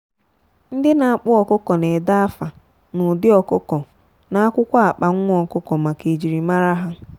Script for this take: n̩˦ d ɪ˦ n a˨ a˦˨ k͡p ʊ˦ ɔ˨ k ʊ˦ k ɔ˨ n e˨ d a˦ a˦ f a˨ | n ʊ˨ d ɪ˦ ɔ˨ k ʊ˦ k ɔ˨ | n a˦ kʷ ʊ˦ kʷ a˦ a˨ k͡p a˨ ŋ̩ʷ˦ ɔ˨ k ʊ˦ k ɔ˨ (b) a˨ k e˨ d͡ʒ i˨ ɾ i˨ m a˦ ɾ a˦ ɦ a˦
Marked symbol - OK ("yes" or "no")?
no